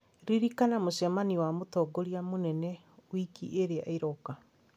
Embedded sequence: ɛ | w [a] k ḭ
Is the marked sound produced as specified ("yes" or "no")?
no